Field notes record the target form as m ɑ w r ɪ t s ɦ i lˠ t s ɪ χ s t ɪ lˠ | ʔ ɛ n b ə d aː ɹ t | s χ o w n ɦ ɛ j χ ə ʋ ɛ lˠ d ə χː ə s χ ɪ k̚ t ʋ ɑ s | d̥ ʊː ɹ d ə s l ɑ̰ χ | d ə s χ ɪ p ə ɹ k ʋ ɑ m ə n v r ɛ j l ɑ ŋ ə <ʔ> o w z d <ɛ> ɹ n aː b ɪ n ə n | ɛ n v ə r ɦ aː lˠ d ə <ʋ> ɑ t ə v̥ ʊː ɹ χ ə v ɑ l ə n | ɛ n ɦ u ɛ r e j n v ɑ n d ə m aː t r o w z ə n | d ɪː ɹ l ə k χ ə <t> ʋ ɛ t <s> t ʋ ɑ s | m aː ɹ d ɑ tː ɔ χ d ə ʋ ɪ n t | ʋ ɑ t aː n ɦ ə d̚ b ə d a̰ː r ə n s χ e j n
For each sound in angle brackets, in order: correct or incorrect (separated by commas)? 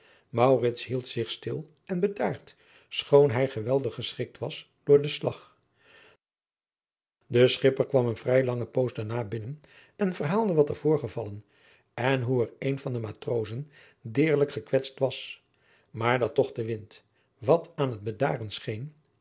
incorrect, incorrect, correct, incorrect, correct